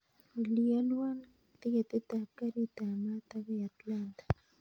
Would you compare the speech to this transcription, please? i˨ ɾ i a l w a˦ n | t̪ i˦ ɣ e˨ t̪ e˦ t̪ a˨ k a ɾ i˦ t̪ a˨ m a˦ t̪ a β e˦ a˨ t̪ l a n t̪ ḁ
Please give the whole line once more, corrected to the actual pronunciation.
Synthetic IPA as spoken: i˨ l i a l w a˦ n | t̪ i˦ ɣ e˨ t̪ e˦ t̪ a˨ k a ɾ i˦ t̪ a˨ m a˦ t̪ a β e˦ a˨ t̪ l a n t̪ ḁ